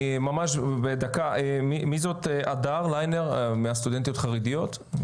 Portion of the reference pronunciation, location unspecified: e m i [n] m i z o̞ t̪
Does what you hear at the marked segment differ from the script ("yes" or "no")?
yes